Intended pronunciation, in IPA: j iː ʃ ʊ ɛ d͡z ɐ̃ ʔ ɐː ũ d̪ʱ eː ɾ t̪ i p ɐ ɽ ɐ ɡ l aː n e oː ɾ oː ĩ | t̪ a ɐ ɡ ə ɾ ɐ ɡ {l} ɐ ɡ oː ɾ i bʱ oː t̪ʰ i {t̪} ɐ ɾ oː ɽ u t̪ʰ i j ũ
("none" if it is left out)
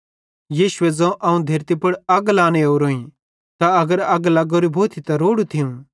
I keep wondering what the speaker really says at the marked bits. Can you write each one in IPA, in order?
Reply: l, t̪

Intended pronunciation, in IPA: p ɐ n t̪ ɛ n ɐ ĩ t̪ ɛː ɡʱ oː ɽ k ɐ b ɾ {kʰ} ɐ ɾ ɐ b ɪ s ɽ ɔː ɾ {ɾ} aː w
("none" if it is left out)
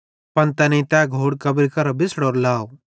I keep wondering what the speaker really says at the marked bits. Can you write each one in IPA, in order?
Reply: k, l

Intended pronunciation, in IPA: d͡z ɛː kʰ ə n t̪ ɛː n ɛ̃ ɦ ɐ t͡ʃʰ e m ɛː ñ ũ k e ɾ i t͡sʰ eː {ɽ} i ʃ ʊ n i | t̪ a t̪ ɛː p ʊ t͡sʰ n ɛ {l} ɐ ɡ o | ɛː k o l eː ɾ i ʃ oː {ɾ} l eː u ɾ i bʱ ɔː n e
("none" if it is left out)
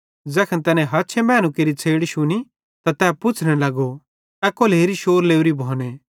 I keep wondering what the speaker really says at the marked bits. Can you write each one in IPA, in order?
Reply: ɽ, l, ɾ

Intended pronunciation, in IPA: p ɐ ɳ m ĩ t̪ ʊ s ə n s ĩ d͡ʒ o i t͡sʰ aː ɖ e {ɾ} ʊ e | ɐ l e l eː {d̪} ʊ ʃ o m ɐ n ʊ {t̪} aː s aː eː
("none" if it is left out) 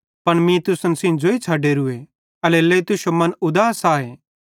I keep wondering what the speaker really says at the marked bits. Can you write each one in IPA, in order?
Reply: ɾ, t̪, d̪

